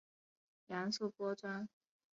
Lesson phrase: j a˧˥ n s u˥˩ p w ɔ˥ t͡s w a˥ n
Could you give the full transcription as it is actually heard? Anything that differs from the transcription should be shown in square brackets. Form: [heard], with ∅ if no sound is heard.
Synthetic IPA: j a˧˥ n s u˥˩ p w ɔ˥ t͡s w a˥ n